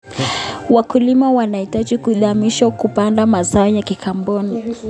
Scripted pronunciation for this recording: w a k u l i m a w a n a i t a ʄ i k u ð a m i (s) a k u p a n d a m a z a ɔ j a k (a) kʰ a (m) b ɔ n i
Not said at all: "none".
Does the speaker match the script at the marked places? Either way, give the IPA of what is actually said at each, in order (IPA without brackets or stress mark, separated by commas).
ʃ, i, m